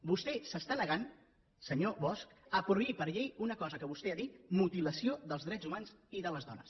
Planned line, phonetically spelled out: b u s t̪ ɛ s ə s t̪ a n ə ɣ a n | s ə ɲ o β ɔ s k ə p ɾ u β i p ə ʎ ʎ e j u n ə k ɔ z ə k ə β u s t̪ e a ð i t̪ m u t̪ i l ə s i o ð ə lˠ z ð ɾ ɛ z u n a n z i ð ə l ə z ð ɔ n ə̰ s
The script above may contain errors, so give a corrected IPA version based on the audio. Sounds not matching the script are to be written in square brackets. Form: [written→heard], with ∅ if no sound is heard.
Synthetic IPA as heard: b u s t̪ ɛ s ə s t̪ a n ə ɣ a n | s ə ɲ o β ɔ s k ə p ɾ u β i p ə [ʎ→ɾ] ʎ e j u n ə k ɔ z ə k ə β u s t̪ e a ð i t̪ m u t̪ i l ə s i o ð ə lˠ z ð ɾ ɛ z u [n→m] a n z i ð ə l ə z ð ɔ n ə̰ s

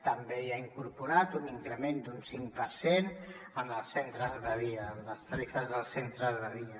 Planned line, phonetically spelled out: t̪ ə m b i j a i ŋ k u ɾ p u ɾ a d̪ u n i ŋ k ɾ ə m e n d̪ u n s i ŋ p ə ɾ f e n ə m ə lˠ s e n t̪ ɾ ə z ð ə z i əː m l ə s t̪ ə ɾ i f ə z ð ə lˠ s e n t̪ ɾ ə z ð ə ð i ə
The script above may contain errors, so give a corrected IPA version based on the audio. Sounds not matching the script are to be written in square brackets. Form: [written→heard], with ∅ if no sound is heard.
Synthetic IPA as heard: t̪ ə m b [i→e] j a i ŋ k u ɾ p u ɾ a [d̪→t̪] u n i ŋ k ɾ ə m e n d̪ u n s i ŋ p ə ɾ [f→s] e n ə m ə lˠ s e n t̪ ɾ ə z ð ə [z→ð] i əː m l ə s t̪ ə ɾ i f ə z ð ə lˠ s e n t̪ ɾ ə z ð ə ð i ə

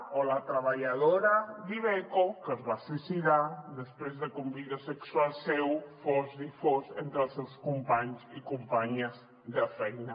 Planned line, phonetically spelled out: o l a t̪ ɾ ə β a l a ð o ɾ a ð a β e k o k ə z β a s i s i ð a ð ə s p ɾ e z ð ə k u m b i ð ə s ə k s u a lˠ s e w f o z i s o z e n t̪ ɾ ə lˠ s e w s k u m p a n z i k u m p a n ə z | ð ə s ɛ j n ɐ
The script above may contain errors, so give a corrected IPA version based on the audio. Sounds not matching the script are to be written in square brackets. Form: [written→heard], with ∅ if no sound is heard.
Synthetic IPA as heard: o l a t̪ ɾ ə β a [l→ʎ] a ð o ɾ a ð [a→i] β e k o k ə z β a s i s i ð a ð ə s p ɾ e z ð ə k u m b i ð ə s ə k s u a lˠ s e w f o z i [s→f] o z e n t̪ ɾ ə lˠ s e w s k u m p a [n→ɲ] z i k u m p a [n→ɲ] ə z | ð ə [s→f] ɛ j n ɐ

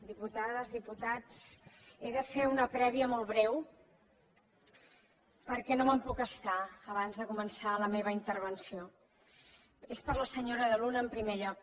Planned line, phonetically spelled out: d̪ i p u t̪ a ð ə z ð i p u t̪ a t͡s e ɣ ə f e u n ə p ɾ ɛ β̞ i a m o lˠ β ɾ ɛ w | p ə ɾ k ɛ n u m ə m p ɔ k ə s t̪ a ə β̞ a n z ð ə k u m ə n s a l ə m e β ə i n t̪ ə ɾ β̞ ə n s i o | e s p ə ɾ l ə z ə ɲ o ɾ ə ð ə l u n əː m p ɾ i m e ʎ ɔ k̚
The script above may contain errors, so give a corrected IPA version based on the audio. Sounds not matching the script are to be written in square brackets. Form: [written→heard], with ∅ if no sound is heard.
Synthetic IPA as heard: d̪ i p u t̪ a ð ə z ð i p u t̪ a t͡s e [ɣ→ð] ə f e u n ə p ɾ ɛ β̞ i [a→ə] m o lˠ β ɾ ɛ w | p ə ɾ k ɛ n [u→o] m ə m p [ɔ→u] k ə s t̪ a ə β̞ a n z ð ə k u m ə n s a l ə m e β ə i n t̪ ə ɾ β̞ ə n s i o | e s p ə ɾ l ə [z→s] ə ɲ o ɾ ə ð ə l u n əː m p ɾ i m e ʎ ɔ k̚

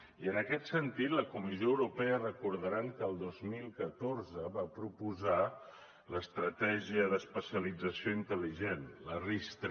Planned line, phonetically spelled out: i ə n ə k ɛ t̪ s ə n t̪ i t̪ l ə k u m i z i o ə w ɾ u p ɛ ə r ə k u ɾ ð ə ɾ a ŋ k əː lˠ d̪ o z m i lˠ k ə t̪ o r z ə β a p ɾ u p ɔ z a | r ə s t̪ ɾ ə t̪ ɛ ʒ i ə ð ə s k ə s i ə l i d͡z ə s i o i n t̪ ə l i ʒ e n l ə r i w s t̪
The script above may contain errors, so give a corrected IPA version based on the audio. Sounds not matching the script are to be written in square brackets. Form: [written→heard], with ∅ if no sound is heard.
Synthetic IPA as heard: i ə n ə k ɛ t̪ s ə n t̪ i t̪ l ə k u m i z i o ə w ɾ u p ɛ ə r ə k u ɾ ð ə ɾ a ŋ k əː lˠ d̪ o z m i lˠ k ə t̪ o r z ə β a p ɾ u p [ɔ→u] z a | [r→l] ə s t̪ ɾ ə t̪ ɛ ʒ i ə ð ə s [k→p] ə s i ə l i d͡z ə s i o i n t̪ ə l i ʒ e n l ə r i [w→∅] s t̪

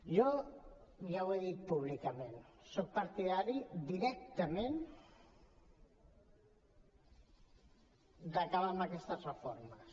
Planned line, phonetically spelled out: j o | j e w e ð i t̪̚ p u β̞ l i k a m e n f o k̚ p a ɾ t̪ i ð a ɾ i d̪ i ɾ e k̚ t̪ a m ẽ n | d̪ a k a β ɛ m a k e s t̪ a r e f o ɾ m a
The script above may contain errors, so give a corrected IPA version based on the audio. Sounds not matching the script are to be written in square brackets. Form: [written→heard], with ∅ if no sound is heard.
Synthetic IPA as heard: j o | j [e→a] w e ð i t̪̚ p u β̞ l i k a m e n [f→s] o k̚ p a ɾ t̪ i ð a ɾ i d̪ i ɾ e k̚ t̪ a m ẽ n | d̪ a k a β [ɛ→a] m a k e s t̪ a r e f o ɾ m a

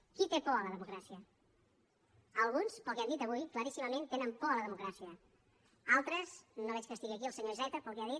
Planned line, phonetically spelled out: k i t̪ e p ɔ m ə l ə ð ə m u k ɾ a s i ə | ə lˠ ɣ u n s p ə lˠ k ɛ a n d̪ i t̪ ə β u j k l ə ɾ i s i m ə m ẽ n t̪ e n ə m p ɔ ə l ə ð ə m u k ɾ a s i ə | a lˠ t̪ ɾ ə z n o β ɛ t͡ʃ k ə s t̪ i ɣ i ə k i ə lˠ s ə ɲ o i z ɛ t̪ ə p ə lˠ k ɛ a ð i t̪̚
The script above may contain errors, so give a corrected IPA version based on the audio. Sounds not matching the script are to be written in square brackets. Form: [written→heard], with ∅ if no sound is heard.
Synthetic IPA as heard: k i t̪ e p ɔ [m→∅] ə l ə ð ə m u k ɾ a s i ə | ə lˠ ɣ u n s p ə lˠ k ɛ a n d̪ i t̪ ə β u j k l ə ɾ i s i m ə m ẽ n t̪ e n ə m p ɔ ə l ə ð ə m u k ɾ a s i ə | a lˠ t̪ ɾ ə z n o β ɛ t͡ʃ k ə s t̪ i ɣ i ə k i ə lˠ s ə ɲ o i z ɛ t̪ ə p ə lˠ k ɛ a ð i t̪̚

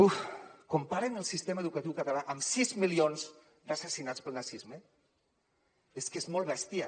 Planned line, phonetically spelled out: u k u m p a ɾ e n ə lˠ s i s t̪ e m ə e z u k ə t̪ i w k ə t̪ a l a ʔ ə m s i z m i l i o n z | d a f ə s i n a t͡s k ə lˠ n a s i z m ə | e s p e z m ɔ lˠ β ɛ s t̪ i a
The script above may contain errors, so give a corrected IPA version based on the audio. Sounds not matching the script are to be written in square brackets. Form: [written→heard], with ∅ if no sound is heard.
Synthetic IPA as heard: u k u m p a ɾ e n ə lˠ s i s t̪ e m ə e [z→ð] u k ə t̪ i w k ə t̪ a l a ʔ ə m s i z m i l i o n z | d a [f→s] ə s i n a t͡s [k→p] ə lˠ n a s i z m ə | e s [p→k] e z m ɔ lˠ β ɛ s t̪ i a

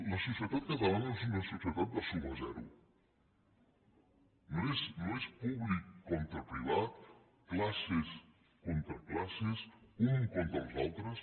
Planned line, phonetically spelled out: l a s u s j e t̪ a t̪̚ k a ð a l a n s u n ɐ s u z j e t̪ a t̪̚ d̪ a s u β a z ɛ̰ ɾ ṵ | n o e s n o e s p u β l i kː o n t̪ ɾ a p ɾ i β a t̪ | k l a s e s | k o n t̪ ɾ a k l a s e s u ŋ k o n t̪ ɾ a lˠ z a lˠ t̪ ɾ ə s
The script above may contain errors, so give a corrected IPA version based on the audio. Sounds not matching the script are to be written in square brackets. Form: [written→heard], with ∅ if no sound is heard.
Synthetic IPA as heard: l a s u s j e t̪ a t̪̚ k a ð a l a n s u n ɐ s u [z→s] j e t̪ a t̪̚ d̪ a s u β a z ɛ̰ ɾ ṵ | n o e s n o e s p u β l i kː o n t̪ ɾ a p ɾ i β a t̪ | k l a s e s | k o n t̪ ɾ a k l a s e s u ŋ k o n t̪ ɾ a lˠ z a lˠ t̪ ɾ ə s

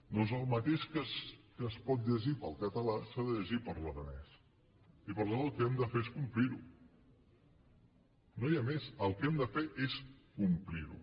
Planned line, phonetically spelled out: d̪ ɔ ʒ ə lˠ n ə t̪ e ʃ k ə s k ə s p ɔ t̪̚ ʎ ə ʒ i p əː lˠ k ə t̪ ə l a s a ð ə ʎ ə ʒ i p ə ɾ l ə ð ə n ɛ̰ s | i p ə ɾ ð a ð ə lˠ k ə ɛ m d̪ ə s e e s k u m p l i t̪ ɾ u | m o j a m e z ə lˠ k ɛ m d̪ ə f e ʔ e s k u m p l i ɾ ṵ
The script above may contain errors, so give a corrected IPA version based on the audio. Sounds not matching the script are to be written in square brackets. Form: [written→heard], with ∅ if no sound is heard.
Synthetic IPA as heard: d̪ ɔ [ʒ→z] ə lˠ [n→m] ə t̪ e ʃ k ə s k ə s p ɔ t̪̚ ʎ ə ʒ i p [əː→ə] lˠ k ə t̪ ə l a s a ð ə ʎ ə ʒ i p ə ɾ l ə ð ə n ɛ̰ s | i p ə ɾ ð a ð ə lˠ k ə ɛ m d̪ ə [s→f] e e s k u m p l i [t̪→∅] ɾ u | [m→n] o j a m e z ə lˠ k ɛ m d̪ ə f e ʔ e s k u m p l i ɾ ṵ

